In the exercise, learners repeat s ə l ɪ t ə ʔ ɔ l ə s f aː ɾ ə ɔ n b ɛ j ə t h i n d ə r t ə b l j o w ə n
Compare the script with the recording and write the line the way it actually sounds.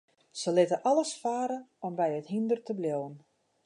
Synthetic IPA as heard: s ə l ɪ t ə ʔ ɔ l ə s f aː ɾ ə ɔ m b ɛ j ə t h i n d ə r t ə b l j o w ə n

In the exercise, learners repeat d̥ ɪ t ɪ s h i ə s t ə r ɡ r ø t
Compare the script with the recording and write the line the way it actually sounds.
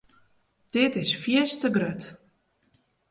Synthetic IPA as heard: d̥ ɪ t ɪ s f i ə s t ə ɡ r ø t

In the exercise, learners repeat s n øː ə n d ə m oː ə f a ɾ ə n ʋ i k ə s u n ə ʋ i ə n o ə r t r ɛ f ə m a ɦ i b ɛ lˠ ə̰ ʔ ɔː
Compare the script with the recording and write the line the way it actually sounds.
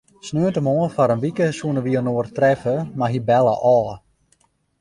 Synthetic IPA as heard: s n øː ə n t ə m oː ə f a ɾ ə n ʋ i k ə s u n ə ʋ i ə n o ə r t r ɛ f ə m a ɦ i b ɛ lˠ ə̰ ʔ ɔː

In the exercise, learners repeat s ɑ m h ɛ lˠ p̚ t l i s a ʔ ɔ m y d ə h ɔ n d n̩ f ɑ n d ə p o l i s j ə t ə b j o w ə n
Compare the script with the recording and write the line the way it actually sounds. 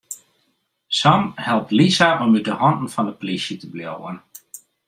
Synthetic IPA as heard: s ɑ m h ɛ lˠ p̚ t l i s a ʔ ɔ m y d ə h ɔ n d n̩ f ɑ n d ə p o l i s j ə t ə b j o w ə n

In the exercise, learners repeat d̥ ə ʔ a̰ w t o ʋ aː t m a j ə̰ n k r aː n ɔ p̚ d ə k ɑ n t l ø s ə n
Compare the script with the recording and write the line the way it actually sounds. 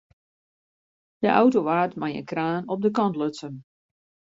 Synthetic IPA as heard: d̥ ə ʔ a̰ w t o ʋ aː t m a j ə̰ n k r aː n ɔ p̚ d ə k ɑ n t l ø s ə n

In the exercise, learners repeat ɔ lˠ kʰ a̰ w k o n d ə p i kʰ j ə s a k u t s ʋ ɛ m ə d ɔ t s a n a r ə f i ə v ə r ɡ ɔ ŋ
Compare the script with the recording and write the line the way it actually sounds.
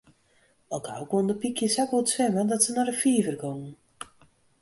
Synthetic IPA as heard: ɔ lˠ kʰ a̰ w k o n d ə p i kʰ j ə s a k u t s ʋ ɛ m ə d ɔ t s ə n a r ə f i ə v ə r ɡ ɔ ŋ

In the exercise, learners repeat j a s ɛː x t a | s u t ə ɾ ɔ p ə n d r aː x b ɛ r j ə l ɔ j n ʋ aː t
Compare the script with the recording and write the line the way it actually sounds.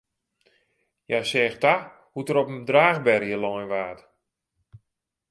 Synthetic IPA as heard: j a s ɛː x t a | h u t ə ɾ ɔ p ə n d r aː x b ɛ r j ə l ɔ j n ʋ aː t

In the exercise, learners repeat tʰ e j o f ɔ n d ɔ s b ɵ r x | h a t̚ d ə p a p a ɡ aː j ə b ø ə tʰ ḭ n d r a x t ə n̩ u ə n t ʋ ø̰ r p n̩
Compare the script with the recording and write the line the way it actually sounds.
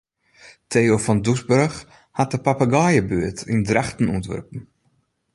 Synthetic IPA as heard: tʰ e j o f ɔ n d u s b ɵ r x | h a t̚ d ə p a p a ɡ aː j ə b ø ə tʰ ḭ n d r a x t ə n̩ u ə n t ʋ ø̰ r p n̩

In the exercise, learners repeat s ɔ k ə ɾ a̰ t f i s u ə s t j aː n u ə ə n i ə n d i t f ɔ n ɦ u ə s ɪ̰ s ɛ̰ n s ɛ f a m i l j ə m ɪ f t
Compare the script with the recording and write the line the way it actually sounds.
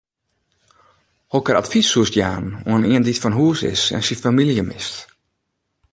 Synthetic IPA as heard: h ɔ k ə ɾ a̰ t f i s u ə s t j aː n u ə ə n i ə n d i t f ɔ n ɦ u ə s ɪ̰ s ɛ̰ n s i f a m i l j ə m ɪ s t

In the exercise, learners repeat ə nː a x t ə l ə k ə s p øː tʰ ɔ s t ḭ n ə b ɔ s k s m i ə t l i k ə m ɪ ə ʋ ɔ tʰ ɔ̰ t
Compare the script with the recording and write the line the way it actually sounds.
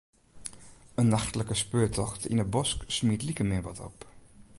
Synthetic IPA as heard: ə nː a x t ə l ə k ə s p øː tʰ ɔ x t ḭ n ə b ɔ s k s m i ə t l i k ə m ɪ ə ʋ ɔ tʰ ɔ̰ p

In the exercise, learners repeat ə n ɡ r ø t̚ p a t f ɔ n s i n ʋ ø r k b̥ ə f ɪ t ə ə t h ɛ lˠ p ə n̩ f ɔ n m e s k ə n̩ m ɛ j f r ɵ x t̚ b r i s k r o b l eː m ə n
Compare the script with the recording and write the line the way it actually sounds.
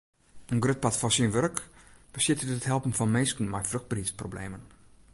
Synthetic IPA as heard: ə n ɡ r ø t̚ p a t f ɔ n s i n ʋ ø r k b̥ ə s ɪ t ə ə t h ɛ lˠ p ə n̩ f ɔ n m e s k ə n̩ m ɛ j f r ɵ x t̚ b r i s p r o b l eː m ə n

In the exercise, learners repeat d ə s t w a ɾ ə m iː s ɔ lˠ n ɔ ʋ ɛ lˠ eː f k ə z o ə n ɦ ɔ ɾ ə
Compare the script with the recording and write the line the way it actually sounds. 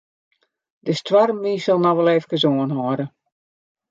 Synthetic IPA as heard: d ə s t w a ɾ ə m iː s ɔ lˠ n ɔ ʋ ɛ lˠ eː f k ə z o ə n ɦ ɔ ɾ ə

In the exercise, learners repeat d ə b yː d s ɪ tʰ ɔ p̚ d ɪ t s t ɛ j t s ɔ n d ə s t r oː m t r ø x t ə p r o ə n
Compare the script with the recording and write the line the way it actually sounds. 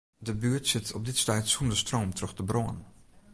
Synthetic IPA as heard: d ə b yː t s ɪ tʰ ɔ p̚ d ɪ t s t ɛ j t s u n d ə s t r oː m t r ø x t ə b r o ə n

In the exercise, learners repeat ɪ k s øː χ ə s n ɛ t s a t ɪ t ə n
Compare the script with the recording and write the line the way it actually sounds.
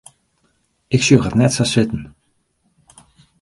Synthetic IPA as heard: ɪ k s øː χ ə t n ɛ t s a s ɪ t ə n

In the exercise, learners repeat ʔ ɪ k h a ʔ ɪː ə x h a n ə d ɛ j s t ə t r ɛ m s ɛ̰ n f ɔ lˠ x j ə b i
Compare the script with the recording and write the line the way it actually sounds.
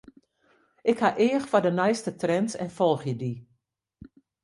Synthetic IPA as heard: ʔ ɪ k h a ʔ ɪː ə x f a d ə n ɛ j s t ə t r ɛ n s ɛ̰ n f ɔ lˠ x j ə d i

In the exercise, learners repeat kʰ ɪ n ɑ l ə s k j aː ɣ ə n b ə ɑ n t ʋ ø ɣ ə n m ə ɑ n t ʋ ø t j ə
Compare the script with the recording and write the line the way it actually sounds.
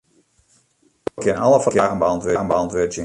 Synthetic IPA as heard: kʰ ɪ n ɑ l ə f k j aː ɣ ə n b ə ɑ n t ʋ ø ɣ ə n b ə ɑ n t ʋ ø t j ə

